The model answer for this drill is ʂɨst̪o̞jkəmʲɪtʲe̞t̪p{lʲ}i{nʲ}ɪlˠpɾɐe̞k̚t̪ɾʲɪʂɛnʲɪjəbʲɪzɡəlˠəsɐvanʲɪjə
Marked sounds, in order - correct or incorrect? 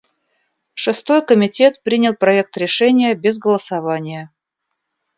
incorrect: ɾʲ, correct

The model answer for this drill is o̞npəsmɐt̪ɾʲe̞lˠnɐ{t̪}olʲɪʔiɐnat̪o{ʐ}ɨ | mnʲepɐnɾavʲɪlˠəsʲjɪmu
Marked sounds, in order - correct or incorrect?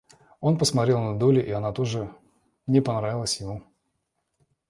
incorrect: d̪, correct

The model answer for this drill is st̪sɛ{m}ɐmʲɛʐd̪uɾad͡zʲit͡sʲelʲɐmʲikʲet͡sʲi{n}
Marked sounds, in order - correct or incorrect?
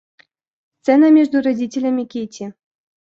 incorrect: n, incorrect: none

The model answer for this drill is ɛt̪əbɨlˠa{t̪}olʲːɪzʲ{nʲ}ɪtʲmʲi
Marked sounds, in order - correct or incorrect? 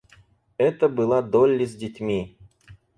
incorrect: d̪, incorrect: dʲ

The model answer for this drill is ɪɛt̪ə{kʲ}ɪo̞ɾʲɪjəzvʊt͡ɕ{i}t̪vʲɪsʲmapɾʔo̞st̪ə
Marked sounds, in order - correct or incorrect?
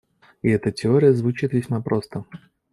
incorrect: tʲ, correct

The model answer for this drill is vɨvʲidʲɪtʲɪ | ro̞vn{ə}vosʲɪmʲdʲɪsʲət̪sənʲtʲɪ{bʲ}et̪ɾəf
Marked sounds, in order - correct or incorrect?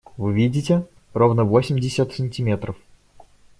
correct, incorrect: mʲ

